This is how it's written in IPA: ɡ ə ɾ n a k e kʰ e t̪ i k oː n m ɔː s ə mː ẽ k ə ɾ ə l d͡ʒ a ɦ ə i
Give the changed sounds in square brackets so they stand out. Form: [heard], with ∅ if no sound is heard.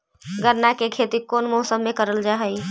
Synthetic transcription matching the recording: ɡ ə ɾ n a k e kʰ e t̪ i k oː n m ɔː s ə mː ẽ k ə ɾ ə l d͡ʒ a ɦ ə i